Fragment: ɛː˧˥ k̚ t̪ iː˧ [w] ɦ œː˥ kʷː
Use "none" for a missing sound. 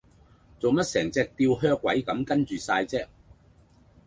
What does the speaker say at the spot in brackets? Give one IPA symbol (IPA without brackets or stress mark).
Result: w